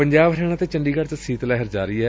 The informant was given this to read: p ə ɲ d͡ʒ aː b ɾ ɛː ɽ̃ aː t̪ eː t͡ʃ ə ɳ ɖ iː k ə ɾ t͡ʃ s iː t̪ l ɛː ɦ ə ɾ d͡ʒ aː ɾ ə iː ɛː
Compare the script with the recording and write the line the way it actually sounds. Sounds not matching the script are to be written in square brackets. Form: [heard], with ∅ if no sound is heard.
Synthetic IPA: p ə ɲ d͡ʒ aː b ɾ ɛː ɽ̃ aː t̪ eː t͡ʃ ə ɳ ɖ iː k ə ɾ t͡ʃ s iː t̪ l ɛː ɦ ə ɾ d͡ʒ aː ɾ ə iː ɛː